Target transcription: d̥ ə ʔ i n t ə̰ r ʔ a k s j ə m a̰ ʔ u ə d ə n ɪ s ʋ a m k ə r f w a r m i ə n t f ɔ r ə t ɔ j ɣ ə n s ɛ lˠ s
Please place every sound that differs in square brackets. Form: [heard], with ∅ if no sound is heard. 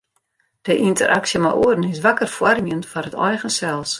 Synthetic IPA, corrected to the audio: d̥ ə ʔ i n t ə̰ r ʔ a k s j ə m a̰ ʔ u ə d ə n ɪ s ʋ a [∅] k ə r f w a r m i ə n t f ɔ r ə t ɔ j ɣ ə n s ɛ lˠ s